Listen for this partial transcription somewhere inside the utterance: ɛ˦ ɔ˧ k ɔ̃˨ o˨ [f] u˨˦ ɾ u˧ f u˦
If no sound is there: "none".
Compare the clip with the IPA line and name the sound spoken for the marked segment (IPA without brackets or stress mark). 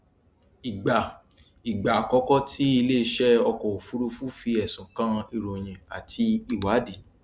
f